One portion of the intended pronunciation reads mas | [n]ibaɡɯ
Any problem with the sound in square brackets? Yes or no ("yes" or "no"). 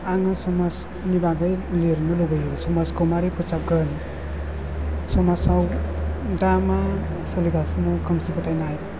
no